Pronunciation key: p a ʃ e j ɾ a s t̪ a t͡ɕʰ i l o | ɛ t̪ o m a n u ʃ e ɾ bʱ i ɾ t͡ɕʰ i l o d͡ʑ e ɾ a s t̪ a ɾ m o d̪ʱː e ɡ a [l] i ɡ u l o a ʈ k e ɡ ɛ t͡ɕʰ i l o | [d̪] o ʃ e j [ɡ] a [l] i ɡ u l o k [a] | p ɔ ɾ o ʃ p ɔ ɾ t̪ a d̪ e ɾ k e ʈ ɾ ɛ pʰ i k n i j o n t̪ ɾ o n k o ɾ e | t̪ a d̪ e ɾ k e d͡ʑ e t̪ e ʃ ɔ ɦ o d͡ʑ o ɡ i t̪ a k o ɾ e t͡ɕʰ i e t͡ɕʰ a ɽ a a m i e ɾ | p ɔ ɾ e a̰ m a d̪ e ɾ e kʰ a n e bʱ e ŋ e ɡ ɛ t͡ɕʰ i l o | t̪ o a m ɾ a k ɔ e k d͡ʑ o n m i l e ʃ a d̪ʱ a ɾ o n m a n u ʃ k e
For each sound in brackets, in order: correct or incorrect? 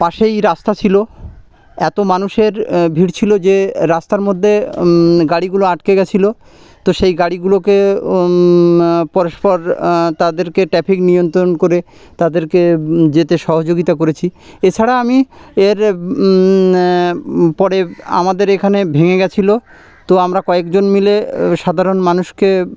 incorrect, incorrect, correct, incorrect, incorrect

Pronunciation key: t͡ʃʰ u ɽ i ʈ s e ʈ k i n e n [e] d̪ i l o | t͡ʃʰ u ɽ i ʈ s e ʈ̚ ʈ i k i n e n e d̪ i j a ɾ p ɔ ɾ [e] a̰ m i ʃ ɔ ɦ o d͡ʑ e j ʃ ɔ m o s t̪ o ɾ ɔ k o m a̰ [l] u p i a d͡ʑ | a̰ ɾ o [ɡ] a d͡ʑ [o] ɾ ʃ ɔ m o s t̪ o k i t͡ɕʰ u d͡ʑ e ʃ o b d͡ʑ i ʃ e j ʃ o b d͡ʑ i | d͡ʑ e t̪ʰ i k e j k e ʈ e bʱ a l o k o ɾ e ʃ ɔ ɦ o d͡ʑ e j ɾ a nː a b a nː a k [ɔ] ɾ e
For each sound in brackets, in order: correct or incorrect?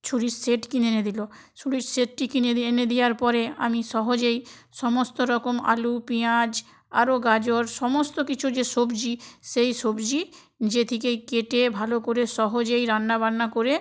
correct, correct, correct, correct, correct, incorrect

